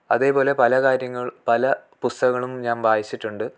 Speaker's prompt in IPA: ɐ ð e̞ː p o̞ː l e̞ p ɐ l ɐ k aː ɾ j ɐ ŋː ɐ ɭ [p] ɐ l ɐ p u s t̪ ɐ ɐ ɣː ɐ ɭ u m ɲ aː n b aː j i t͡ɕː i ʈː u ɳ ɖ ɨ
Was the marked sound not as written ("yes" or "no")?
no